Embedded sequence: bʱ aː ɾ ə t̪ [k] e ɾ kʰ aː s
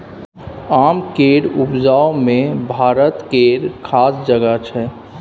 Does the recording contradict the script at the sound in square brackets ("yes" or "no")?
no